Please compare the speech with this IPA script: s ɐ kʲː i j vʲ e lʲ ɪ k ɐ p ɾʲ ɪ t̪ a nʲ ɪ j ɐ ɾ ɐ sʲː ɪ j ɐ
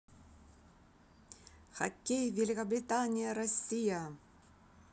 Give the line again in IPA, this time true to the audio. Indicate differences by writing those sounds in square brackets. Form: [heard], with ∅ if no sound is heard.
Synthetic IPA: [x] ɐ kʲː [e] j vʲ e lʲ ɪ k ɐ [b] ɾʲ ɪ t̪ a nʲ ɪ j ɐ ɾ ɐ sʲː [i] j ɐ

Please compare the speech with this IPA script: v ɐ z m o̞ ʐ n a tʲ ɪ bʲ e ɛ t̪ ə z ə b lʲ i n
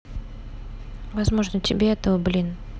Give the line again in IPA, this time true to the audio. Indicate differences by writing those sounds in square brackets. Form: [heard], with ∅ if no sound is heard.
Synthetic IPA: v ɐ z m o̞ ʐ n [ə] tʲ ɪ bʲ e ɛ t̪ ə [v] ə b lʲ i n

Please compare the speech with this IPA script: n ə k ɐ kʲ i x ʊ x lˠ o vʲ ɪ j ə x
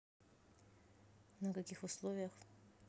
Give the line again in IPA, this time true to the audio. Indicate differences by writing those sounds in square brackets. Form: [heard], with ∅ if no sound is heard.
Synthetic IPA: n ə k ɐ kʲ i x ʊ [s] lˠ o vʲ ɪ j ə x

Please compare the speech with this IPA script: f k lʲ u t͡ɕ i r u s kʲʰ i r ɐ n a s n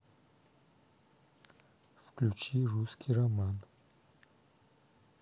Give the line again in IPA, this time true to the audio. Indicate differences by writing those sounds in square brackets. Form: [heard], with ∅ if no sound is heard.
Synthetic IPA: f k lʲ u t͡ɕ i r u s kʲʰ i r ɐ [m] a [∅] n

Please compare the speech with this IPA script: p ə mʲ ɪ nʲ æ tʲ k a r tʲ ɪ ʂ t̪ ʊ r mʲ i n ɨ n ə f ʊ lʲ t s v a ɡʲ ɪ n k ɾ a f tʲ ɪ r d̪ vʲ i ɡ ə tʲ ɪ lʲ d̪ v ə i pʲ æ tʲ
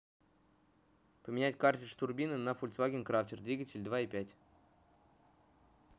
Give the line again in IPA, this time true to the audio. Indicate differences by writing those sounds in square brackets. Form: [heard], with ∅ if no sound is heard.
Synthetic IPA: p ə mʲ ɪ nʲ æ tʲ k a r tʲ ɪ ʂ t̪ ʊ r [bʲ] i n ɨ n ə f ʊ lʲ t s v a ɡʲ ɪ n k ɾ a f tʲ ɪ r d̪ vʲ i ɡ ə tʲ ɪ lʲ d̪ v [a] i pʲ æ tʲ

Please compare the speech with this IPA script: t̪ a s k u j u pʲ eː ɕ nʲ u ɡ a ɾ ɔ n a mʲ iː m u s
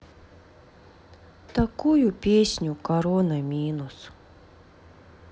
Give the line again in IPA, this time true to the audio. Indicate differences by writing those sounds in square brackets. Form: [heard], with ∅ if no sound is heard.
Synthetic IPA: t̪ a [∅] k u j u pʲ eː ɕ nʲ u [k] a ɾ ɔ n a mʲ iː [n] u s

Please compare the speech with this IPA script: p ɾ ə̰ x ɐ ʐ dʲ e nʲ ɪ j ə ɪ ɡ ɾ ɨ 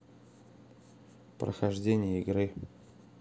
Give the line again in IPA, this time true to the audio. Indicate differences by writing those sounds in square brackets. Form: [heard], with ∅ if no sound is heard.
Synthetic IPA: p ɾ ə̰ x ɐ ʐ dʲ e nʲ ɪ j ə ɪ ɡ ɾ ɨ

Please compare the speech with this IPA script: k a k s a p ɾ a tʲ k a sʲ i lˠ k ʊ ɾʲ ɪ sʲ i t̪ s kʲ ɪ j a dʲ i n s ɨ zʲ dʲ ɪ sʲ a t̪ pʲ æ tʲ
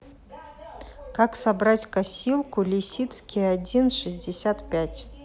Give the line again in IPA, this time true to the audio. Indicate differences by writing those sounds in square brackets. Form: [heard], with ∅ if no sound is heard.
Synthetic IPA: k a k s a [b] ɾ a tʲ k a sʲ i lˠ k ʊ [lʲ] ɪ sʲ i t̪ s kʲ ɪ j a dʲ i n [ʂ] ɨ zʲ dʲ ɪ sʲ a t̪ pʲ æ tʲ

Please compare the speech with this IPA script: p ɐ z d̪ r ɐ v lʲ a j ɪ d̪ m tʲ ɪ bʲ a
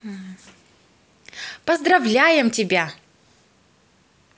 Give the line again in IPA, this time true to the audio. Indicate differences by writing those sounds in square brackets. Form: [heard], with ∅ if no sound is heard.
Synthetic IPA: p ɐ z d̪ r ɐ v lʲ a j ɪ [∅] m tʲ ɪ bʲ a

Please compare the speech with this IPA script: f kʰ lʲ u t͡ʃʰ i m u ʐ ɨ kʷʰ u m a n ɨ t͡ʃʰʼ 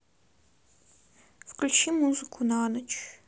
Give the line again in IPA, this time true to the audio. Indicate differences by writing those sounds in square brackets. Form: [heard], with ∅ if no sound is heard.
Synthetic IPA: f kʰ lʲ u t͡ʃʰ i m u [z] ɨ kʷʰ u [n] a n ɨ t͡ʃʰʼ

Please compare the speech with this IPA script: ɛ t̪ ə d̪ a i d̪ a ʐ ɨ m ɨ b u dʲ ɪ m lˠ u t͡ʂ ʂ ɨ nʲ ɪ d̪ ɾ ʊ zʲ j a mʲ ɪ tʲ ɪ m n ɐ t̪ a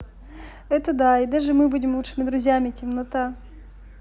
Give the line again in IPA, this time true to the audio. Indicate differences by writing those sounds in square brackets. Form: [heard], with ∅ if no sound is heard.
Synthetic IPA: ɛ t̪ ə d̪ a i d̪ a ʐ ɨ m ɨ b u dʲ ɪ m lˠ u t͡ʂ ʂ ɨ [mʲ] ɪ d̪ ɾ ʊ zʲ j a mʲ ɪ tʲ ɪ m n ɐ t̪ a

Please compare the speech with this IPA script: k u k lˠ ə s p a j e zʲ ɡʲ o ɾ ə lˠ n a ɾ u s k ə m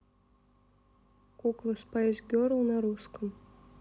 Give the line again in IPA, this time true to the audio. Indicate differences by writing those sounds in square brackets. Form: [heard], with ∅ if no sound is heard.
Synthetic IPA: k u k lˠ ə s p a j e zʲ ɡʲ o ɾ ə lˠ n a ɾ u s k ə m

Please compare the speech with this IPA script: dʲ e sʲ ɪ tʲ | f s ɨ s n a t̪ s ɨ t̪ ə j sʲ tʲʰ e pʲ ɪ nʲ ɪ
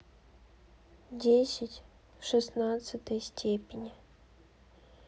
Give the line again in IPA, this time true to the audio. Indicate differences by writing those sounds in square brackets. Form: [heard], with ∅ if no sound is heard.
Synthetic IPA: dʲ e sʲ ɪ tʲ | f [ʂ] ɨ s n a t̪ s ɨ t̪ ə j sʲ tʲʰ e pʲ ɪ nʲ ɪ

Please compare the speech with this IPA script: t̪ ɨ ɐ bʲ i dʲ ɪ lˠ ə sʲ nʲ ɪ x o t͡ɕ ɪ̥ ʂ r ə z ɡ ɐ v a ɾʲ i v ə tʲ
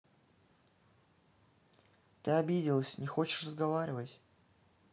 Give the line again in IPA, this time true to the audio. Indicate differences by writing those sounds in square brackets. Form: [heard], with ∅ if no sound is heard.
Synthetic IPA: t̪ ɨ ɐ bʲ i dʲ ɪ lˠ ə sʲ nʲ ɪ x o t͡ɕ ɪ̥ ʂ r ə z ɡ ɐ v a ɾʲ [ɪ] v ə tʲ

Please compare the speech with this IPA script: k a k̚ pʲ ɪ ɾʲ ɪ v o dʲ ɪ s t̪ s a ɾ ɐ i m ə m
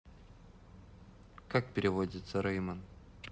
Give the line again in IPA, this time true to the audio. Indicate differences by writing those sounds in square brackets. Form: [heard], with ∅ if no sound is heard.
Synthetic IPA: k a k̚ pʲ ɪ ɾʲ ɪ v o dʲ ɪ [∅] t̪ s [ə] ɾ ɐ [j] m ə [n]

